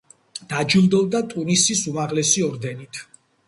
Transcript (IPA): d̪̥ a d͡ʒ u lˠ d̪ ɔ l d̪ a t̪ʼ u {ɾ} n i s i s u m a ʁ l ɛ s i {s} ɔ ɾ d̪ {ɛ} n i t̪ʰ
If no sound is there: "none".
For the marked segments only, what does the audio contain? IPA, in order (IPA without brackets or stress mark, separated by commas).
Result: none, none, ɛ